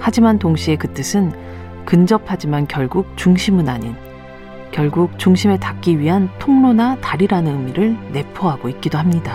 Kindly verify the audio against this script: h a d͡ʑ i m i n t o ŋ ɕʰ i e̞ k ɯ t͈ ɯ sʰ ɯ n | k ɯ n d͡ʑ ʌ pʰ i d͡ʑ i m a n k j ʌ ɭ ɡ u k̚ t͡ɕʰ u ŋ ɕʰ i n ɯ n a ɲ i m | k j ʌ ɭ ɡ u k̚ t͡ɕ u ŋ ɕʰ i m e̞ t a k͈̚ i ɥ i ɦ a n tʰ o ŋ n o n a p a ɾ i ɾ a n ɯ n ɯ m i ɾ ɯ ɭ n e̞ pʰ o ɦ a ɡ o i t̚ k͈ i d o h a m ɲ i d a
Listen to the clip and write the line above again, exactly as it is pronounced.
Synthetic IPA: h a d͡ʑ i m a n t o ŋ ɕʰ i e̞ k ɯ t͈ ɯ sʰ ɯ n | k ɯ n d͡ʑ ʌ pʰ a d͡ʑ i m a n k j ʌ ɭ ɡ u k̚ t͡ɕ u ŋ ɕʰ i m ɯ n a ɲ i n | k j ʌ ɭ ɡ u k̚ t͡ɕ u ŋ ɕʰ i m e̞ t a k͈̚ i ɥ i ɦ a n tʰ o ŋ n o n a t a ɾ i ɾ a n ɯ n ɯ m i ɾ ɯ ɭ n e̞ pʰ o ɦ a ɡ o i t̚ k͈ i d o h a m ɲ i d a